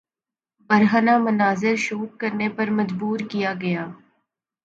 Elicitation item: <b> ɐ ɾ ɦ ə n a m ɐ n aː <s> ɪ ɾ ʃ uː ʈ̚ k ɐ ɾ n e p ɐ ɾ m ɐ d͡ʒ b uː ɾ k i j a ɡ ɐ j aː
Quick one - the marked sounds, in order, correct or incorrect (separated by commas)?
correct, incorrect